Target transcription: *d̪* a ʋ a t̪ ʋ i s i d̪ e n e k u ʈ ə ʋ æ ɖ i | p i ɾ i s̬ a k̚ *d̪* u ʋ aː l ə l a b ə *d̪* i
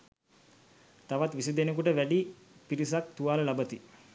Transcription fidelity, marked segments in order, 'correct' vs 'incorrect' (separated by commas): incorrect, incorrect, incorrect